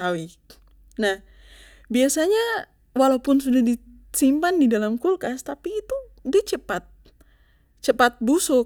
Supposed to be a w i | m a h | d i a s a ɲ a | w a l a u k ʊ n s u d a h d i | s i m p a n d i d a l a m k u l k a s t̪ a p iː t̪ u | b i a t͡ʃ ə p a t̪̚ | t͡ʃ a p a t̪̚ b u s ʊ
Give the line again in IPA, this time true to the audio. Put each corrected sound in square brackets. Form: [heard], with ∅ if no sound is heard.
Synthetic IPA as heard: a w i | [n] a h | [b] i a s a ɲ a | w a l a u [p] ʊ n s u d a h d i | s i m p a n d i d a l a m k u l k a s t̪ a p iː t̪ u | [d] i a t͡ʃ ə p a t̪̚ | t͡ʃ [ə] p a t̪̚ b u s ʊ